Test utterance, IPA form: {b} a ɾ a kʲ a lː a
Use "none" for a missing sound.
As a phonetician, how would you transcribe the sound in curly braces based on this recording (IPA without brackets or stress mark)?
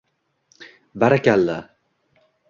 b